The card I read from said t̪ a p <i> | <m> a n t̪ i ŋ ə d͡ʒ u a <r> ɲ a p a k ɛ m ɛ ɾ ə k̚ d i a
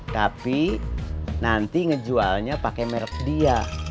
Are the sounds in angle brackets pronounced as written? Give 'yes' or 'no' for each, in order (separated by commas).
yes, no, no